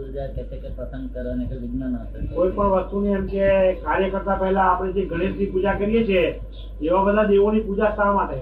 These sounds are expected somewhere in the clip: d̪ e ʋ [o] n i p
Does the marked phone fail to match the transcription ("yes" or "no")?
no